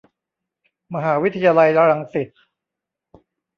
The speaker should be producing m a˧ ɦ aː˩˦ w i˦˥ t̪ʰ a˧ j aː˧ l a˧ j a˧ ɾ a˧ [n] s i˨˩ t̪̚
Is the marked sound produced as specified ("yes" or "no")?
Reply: no